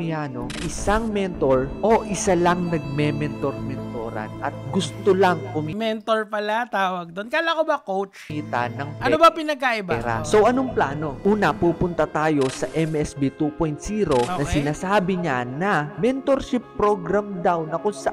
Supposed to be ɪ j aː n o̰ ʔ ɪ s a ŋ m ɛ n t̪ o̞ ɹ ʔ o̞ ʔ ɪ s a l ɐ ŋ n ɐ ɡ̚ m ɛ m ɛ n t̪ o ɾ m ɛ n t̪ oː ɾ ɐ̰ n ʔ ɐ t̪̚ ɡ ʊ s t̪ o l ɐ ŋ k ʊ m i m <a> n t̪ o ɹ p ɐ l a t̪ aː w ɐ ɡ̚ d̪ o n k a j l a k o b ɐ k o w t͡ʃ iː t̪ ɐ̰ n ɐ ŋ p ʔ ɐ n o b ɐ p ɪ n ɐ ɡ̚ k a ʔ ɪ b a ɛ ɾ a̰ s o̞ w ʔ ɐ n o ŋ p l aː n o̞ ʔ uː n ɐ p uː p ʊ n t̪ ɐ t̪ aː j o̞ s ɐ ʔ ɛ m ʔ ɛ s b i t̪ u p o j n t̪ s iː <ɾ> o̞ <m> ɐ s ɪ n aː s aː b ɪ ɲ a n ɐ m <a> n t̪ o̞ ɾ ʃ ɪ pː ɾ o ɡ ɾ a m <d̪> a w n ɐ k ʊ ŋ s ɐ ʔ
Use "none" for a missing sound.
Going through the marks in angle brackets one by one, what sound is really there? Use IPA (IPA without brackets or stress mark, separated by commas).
ɛ, ɾ, n, ɛ, d̪